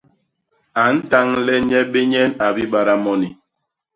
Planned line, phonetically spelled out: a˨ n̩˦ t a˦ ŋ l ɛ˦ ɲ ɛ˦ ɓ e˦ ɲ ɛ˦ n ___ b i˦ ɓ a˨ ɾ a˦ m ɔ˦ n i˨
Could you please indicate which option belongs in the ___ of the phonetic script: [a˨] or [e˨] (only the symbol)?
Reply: a˨